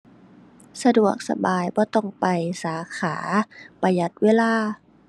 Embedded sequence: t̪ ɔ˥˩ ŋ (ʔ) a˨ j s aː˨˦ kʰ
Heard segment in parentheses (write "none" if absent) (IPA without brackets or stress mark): p